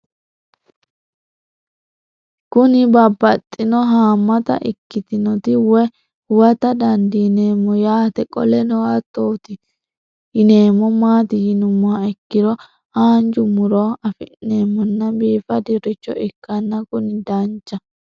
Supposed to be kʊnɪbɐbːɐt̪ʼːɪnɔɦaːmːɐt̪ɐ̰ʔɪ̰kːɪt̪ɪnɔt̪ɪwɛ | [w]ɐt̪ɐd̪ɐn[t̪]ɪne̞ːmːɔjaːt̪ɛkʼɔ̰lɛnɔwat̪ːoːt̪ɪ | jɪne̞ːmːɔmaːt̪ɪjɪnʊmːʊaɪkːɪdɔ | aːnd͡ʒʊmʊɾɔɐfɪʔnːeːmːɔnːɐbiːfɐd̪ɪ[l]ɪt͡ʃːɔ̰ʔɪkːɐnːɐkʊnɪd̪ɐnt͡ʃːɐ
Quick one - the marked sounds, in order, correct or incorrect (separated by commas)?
correct, incorrect, incorrect